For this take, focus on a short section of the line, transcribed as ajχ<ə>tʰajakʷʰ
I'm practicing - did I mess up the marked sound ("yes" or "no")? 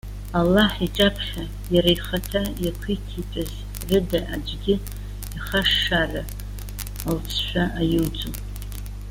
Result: yes